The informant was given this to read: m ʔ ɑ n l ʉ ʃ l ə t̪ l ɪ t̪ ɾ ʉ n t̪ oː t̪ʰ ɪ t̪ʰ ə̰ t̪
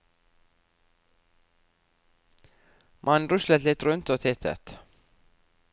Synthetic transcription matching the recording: m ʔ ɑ n ɾ ʉ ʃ l ə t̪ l ɪ t̪ ɾ ʉ n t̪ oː t̪ʰ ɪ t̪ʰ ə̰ t̪